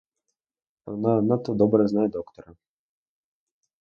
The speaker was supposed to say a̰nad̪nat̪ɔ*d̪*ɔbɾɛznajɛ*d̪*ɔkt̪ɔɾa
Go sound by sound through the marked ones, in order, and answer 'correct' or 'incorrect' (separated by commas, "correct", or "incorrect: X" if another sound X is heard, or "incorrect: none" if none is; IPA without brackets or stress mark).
correct, correct